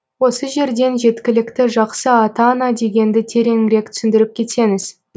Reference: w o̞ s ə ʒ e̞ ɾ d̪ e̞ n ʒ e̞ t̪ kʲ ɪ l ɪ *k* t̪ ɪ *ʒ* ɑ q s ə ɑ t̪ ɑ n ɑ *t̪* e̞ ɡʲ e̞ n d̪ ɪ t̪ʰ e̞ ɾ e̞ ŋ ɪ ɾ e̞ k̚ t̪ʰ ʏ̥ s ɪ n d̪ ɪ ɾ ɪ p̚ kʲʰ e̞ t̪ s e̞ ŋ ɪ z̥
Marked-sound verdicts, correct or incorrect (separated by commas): correct, correct, incorrect